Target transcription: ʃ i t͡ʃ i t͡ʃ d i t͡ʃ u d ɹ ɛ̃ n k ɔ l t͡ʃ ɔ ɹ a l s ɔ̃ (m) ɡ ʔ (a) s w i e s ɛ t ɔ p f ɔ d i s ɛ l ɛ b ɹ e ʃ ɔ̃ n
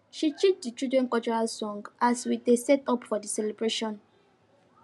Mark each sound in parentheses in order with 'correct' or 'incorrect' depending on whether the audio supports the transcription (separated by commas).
incorrect, correct